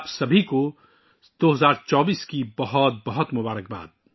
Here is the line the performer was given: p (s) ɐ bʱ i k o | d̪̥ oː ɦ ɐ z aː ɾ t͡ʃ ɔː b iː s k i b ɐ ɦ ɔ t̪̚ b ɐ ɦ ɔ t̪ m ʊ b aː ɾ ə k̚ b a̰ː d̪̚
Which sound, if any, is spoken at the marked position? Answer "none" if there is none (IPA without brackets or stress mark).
s